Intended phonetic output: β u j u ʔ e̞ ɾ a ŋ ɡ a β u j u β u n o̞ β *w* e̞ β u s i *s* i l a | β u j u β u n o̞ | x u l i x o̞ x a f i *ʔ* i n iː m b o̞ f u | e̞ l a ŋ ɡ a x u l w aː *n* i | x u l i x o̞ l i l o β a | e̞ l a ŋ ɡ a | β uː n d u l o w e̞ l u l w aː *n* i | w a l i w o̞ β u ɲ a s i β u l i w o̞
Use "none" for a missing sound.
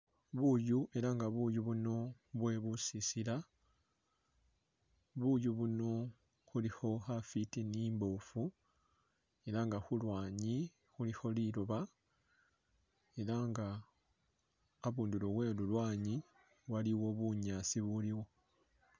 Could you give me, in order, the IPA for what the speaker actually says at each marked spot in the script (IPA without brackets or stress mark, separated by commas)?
w, s, t, ɲ, ɲ